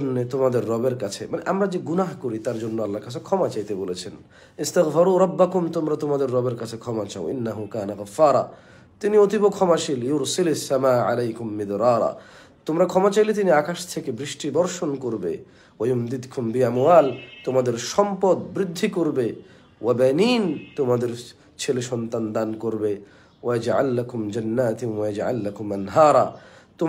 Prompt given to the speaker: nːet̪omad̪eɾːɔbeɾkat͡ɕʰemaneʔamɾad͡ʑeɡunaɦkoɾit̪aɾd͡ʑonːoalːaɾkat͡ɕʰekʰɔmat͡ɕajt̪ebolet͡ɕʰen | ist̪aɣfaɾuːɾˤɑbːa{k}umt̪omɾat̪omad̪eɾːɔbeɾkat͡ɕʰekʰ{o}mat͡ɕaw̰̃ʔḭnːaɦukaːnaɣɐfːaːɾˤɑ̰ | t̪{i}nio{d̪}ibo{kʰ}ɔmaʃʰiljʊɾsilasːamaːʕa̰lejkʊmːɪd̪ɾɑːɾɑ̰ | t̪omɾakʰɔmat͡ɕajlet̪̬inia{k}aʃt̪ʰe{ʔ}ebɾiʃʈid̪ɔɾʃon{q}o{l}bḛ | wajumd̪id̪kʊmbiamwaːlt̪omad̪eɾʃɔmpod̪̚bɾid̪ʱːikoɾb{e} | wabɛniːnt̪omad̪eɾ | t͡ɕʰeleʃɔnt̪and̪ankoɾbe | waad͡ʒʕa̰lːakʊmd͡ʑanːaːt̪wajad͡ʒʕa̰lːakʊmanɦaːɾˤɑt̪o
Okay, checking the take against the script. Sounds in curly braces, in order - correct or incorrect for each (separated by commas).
correct, incorrect, correct, incorrect, correct, correct, incorrect, incorrect, incorrect, correct